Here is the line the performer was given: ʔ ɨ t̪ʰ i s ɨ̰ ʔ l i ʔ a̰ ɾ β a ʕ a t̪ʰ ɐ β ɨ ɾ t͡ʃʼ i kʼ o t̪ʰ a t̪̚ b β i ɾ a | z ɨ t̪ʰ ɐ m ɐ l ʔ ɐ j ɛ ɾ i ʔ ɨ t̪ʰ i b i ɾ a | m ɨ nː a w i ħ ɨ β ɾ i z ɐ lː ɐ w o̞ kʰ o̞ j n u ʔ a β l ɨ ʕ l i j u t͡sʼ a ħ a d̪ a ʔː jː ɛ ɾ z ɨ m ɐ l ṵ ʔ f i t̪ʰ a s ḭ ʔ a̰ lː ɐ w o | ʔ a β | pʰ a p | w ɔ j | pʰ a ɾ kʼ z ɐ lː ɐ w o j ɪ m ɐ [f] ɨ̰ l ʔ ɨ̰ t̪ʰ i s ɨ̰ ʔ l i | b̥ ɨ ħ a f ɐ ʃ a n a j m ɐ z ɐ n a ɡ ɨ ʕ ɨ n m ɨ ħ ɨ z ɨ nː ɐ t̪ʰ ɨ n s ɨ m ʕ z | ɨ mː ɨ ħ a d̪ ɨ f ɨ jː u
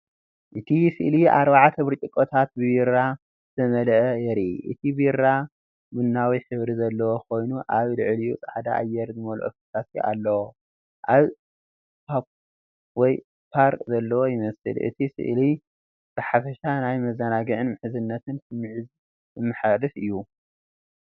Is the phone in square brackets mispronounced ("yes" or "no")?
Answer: yes